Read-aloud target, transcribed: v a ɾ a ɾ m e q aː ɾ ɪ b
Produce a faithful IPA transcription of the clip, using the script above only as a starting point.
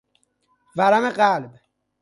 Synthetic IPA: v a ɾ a m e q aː l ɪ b